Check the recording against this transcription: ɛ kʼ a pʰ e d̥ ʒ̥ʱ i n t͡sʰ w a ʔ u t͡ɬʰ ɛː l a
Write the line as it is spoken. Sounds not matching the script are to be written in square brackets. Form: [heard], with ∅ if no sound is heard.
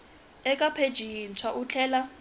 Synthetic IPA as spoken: ɛ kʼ a pʰ e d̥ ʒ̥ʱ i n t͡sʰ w a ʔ u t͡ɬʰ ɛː l a

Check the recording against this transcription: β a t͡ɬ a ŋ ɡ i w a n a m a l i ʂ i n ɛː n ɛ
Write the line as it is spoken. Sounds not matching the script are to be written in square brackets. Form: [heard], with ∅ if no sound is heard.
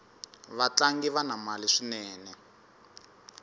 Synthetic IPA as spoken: β a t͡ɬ a ŋ ɡ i [β] a n a m a l i ʂ i n ɛː n ɛ

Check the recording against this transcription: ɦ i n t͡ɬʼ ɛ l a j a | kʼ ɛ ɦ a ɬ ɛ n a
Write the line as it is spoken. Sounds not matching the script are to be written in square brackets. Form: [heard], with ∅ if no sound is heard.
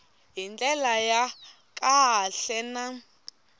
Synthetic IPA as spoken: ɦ i n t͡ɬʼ ɛ l a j a | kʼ [a] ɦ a ɬ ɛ n a

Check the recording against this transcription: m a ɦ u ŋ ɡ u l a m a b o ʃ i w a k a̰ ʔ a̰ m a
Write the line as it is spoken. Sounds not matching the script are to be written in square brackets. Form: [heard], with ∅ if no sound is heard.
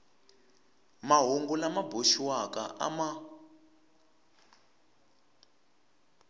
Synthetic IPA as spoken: m a ɦ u ŋ ɡ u l a m a b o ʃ i w a k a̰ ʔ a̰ m a

